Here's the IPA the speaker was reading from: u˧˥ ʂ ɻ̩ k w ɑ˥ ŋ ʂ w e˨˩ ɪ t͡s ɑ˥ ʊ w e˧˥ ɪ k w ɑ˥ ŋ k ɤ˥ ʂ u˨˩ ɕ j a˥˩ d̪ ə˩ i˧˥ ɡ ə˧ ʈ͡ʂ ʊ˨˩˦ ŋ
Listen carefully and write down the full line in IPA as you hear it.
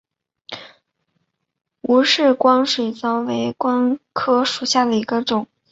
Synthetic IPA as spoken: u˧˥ ʂ ɻ̩ k w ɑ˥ ŋ ʂ w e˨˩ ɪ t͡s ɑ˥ ʊ w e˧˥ ɪ k w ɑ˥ ŋ kʰ ɤ˥ ʂ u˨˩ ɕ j a˥˩ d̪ ə˩ i˧˥ ɡ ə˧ ʈ͡ʂ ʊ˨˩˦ ŋ

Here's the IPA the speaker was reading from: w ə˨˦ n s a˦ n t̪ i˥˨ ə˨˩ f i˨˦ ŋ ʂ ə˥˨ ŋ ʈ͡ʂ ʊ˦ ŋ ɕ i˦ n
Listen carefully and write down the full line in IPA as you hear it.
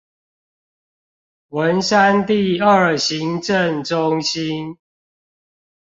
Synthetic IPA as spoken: w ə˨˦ n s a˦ n t̪ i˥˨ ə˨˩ ɕ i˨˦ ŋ ʈ͡ʂ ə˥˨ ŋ ʈ͡ʂ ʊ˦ ŋ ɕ i˦ n

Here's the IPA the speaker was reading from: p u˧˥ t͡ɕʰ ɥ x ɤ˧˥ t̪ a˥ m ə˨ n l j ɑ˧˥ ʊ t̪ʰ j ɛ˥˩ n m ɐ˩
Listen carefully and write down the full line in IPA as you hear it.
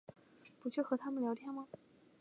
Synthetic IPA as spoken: p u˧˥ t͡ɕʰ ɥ x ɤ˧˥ t̪ʰ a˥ m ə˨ n l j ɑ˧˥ ʊ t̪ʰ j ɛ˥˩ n m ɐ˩

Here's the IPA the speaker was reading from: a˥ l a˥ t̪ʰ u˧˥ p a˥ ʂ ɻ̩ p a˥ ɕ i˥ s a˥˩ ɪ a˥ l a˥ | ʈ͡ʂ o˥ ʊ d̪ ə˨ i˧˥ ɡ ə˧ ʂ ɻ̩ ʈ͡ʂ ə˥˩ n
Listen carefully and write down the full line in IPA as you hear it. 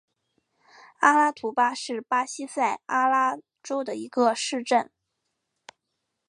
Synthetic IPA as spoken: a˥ l a˥ t̪ʰ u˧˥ p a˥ ʂ ɻ̩ p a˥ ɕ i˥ s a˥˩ ɪ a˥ l a˥ | ʈ͡ʂ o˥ ʊ d̪ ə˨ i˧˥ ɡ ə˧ ʂ ɻ̩ ʈ͡ʂ ə˥˩ n

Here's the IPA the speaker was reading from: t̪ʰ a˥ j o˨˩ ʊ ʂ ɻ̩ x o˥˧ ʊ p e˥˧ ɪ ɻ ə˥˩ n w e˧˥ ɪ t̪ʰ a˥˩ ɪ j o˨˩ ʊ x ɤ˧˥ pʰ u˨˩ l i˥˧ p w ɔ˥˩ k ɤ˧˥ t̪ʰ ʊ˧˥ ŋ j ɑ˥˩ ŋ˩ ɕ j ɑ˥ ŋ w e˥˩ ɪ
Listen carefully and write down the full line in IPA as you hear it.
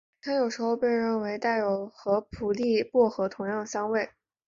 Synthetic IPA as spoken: t̪ʰ a˥ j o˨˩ ʊ ʂ ɻ̩ x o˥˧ ʊ p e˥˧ ɪ ɻ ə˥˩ n w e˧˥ ɪ t̪ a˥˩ ɪ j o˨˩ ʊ x ɤ˧˥ pʰ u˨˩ l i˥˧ p w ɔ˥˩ x ɤ˧˥ t̪ʰ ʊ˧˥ ŋ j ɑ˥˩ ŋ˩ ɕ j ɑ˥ ŋ w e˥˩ ɪ

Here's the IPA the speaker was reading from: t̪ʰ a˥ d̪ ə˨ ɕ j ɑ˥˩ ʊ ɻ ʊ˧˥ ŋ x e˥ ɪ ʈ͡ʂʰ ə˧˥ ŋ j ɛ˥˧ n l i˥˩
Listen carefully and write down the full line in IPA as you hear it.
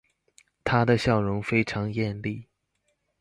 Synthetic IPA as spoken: t̪ʰ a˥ d̪ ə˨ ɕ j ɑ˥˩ ʊ ɻ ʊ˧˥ ŋ f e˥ ɪ ʈ͡ʂʰ ɑ˧˥ ŋ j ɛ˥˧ n l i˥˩

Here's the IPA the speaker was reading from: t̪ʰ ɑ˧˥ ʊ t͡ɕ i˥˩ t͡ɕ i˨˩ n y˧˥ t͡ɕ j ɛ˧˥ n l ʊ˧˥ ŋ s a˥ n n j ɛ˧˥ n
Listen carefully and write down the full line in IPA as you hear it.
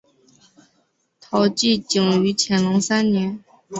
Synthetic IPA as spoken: t̪ʰ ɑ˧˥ ʊ t͡ɕ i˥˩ t͡ɕ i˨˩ ŋ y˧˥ t͡ɕʰ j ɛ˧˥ n l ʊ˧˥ ŋ s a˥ n n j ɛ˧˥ n

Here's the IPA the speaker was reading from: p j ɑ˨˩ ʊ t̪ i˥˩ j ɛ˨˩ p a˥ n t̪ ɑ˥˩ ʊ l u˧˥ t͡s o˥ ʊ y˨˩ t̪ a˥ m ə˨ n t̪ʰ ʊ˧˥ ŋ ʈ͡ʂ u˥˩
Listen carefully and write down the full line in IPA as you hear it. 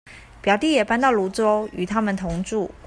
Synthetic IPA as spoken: p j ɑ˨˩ ʊ t̪ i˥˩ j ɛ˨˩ p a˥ n t̪ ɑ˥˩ ʊ l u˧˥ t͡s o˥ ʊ y˨˩ t̪ʰ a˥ m ə˨ n t̪ʰ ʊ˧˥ ŋ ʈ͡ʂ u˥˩

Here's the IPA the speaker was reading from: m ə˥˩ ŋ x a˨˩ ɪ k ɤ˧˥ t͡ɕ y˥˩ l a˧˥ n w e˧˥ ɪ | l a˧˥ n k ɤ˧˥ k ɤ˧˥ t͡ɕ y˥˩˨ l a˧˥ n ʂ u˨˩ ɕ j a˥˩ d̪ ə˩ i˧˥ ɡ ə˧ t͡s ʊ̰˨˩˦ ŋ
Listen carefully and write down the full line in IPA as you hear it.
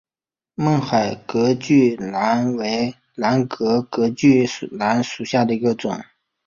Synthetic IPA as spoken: m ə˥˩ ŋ x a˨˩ ɪ k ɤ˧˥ t͡ɕ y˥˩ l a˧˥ n w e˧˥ ɪ | l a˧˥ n k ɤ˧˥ k ɤ˧˥ t͡ɕ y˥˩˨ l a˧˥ n ʂ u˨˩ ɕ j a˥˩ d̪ ə˩ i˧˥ ɡ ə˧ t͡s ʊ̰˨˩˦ ŋ

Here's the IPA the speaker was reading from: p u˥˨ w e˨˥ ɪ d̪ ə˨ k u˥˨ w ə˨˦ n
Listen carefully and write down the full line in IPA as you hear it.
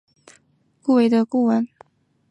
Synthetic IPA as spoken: k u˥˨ w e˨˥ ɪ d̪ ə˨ k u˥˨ w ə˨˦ n

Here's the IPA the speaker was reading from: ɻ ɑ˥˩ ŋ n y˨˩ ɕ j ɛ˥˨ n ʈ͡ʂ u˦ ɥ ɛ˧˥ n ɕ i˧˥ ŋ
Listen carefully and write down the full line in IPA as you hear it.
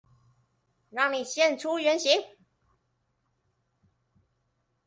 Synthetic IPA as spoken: ɻ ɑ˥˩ ŋ n i˨˩ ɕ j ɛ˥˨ n ʈ͡ʂʰ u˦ ɥ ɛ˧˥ n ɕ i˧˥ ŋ

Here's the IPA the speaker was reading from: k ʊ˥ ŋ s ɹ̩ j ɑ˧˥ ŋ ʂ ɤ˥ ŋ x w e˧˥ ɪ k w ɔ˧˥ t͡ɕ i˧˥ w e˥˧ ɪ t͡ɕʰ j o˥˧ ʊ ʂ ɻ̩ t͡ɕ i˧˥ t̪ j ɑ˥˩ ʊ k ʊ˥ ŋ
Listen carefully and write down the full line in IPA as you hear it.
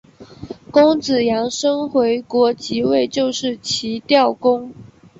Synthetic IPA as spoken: k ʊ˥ ŋ t͡s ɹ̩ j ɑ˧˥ ŋ ʂ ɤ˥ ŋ x w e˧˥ ɪ k w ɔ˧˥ t͡ɕ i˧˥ w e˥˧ ɪ t͡ɕ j o˥˧ ʊ ʂ ɻ̩ t͡ɕʰ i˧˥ t̪ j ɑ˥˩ ʊ k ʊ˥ ŋ

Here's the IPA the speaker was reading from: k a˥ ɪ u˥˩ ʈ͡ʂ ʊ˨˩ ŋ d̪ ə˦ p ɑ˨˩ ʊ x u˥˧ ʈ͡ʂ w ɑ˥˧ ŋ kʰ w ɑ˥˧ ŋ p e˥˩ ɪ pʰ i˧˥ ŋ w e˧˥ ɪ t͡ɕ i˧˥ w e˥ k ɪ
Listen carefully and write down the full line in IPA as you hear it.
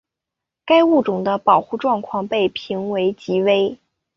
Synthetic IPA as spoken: k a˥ ɪ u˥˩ ʈ͡ʂ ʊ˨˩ ŋ d̪ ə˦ p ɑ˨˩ ʊ x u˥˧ ʈ͡ʂ w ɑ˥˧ ŋ kʰ w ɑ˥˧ ŋ p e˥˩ ɪ pʰ i˧˥ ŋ w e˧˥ ɪ t͡ɕ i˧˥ w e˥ ɪ

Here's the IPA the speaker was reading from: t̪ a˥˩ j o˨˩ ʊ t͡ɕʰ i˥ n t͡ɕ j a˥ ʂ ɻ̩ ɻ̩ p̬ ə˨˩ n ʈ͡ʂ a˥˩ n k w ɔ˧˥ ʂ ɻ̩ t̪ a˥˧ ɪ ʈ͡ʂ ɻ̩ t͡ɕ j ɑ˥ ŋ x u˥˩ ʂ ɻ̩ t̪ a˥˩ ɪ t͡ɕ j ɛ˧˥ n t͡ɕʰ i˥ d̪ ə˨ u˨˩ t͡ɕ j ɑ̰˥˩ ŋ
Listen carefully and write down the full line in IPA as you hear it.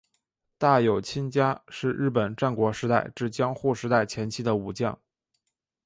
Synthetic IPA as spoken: t̪ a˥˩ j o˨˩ ʊ t͡ɕʰ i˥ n t͡ɕ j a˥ ʂ ɻ̩ ɻ̩ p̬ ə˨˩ n ʈ͡ʂ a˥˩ n k w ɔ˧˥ ʂ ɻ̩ t̪ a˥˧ ɪ ʈ͡ʂ ɻ̩ t͡ɕ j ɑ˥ ŋ x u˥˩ ʂ ɻ̩ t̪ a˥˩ ɪ t͡ɕʰ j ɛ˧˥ n t͡ɕʰ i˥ d̪ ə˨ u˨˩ t͡ɕ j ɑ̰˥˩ ŋ

